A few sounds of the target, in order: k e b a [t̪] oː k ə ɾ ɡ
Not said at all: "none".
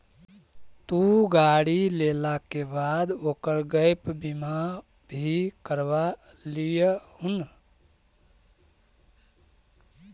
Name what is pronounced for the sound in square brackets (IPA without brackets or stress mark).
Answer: d̪